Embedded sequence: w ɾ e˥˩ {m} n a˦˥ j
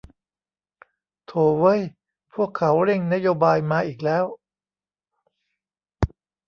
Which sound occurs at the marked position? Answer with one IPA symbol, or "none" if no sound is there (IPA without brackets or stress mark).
ŋ